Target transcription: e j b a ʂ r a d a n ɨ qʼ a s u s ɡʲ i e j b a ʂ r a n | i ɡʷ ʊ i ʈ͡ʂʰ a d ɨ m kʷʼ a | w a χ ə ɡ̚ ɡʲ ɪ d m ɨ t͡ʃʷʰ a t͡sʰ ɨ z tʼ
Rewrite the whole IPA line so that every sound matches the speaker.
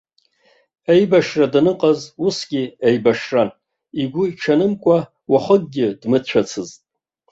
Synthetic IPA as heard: e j b a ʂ r a d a n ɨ qʼ a z u s ɡʲ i e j b a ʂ r a n | i ɡʷ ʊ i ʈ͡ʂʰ a n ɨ m kʷʼ a | w a χ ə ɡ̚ ɡʲ ɪ d m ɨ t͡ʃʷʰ a t͡sʰ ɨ z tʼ